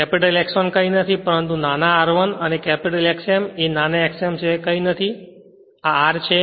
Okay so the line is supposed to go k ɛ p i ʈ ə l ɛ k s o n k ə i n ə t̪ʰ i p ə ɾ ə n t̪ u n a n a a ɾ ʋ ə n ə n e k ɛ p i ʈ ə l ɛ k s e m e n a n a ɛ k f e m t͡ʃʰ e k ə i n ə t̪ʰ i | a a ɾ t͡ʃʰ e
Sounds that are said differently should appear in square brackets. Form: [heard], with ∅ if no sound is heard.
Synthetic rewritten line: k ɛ p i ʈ ə l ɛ k s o n k ə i n ə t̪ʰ i p ə ɾ ə n t̪ u n a n a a ɾ ʋ ə n ə n e k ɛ p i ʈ ə l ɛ k s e m e n a n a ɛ k [s] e m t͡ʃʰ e k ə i n ə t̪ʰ i | a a ɾ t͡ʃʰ e